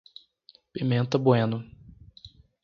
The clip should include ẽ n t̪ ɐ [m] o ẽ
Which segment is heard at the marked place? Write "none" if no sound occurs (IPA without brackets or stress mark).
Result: b